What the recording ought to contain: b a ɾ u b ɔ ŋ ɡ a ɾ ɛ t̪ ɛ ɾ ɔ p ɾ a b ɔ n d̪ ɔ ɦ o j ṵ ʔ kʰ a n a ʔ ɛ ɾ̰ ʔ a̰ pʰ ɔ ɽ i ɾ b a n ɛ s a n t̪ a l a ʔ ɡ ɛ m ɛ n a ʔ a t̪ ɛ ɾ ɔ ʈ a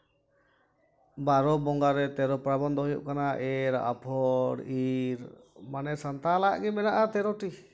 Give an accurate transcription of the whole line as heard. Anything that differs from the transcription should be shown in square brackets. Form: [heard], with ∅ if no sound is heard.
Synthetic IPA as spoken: b a ɾ [ɔ] b ɔ ŋ ɡ a ɾ ɛ t̪ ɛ ɾ ɔ p ɾ a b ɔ n d̪ ɔ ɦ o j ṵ ʔ [k] a n a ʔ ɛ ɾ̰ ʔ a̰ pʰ ɔ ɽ i ɾ [m] a n ɛ s a n t̪ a l a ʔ ɡ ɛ m ɛ n a ʔ a t̪ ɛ ɾ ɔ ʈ [i]

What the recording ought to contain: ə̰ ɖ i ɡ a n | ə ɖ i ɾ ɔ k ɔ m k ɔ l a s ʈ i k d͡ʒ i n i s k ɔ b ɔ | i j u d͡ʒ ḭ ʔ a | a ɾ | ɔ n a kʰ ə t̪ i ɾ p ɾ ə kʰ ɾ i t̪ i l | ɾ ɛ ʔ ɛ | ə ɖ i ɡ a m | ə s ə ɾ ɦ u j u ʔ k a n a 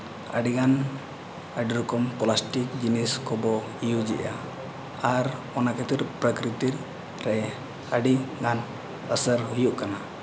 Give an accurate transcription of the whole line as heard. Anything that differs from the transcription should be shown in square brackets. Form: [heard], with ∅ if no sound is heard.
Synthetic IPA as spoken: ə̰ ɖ i ɡ a n | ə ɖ i ɾ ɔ k ɔ m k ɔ l a s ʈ i k d͡ʒ i n i s k ɔ b ɔ | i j u d͡ʒ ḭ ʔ a | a ɾ | ɔ n a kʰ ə t̪ i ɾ p ɾ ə [k] ɾ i t̪ i [ɾ] | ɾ ɛ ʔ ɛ | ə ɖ i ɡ a [n] | ə s ə ɾ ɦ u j u ʔ k a n a

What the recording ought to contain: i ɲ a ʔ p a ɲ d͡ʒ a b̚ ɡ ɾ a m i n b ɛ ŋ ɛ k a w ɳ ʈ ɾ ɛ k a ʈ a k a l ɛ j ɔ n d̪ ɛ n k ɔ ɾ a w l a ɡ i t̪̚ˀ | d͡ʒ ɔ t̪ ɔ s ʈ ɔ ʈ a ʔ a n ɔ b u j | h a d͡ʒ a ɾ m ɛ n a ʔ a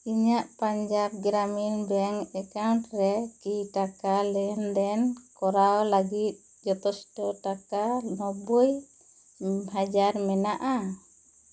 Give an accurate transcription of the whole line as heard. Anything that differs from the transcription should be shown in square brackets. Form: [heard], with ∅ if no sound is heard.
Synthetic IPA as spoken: i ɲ a ʔ p a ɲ d͡ʒ a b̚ ɡ ɾ a m i n b ɛ ŋ ɛ k a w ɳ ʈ ɾ ɛ k [i] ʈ a k a l ɛ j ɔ n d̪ ɛ n k ɔ ɾ a w l a ɡ i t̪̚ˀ | d͡ʒ ɔ t̪ ɔ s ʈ ɔ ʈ a [k] a n ɔ b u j | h a d͡ʒ a ɾ m ɛ n a ʔ a

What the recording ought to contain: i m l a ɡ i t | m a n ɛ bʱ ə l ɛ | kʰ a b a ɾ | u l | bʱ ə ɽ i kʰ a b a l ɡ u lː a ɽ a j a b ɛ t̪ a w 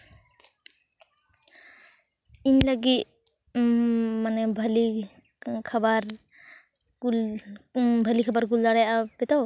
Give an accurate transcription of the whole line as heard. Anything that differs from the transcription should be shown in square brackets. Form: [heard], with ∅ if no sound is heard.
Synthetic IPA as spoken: i [n] l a ɡ i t | m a n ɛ bʱ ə l [i] | kʰ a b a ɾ | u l | bʱ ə [l] i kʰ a b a [ɾ] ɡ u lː a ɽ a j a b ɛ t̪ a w

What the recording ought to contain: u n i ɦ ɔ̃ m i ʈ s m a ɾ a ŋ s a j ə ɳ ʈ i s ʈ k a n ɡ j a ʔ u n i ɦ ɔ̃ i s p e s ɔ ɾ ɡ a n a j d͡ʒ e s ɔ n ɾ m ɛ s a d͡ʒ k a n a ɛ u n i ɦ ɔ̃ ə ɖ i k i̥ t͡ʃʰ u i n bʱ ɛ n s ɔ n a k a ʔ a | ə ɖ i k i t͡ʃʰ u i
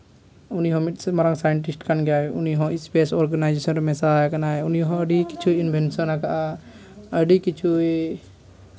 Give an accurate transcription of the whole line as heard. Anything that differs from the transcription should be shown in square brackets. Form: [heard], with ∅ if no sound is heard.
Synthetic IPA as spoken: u n i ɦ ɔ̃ m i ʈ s m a ɾ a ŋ s a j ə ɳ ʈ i s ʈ k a n ɡ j a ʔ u n i ɦ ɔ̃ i s p e s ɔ ɾ ɡ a n a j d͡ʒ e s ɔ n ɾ m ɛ s a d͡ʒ k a n a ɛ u n i ɦ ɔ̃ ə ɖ i k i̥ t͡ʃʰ u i n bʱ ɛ n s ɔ n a k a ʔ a | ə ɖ i k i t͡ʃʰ u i

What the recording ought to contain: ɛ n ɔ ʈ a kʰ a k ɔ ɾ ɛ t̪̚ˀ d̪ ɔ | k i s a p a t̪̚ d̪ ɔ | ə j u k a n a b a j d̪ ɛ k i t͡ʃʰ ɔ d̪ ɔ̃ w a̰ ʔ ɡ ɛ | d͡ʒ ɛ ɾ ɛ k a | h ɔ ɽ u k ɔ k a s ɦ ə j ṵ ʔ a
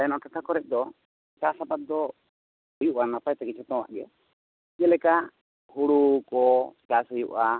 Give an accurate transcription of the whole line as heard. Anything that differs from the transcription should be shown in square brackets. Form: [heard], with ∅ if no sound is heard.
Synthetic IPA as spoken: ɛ n ɔ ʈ a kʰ a k ɔ ɾ ɛ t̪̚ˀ d̪ ɔ | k [a] s a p a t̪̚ d̪ ɔ | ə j u [ʔ] a n a [p] a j [t̪] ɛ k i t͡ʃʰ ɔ [t̪] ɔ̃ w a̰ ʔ ɡ ɛ | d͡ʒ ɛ [l] ɛ k a | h [u] ɽ u k ɔ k a s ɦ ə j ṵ ʔ a

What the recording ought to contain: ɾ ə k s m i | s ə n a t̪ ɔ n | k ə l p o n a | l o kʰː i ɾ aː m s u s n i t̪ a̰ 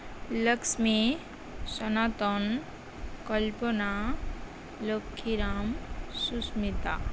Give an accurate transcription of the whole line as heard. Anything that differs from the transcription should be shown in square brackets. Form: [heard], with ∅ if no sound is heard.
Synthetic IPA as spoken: [l] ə k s m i | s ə n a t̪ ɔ n | k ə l p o n a | l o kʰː i ɾ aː m s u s [m] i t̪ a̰

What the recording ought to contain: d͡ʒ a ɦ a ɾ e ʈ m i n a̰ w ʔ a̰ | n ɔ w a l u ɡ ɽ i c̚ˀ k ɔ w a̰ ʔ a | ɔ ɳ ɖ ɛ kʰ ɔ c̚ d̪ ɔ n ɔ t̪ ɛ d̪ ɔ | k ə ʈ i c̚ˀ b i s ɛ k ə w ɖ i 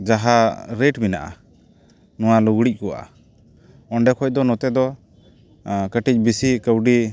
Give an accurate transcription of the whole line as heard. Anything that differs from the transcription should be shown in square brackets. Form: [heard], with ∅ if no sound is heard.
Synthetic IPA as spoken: d͡ʒ a ɦ a ɾ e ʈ m i n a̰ [∅] ʔ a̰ | n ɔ w a l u ɡ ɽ i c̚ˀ k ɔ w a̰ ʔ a | ɔ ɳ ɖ ɛ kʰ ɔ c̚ d̪ ɔ n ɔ t̪ ɛ d̪ ɔ | k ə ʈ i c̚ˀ b i s [i] k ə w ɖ i

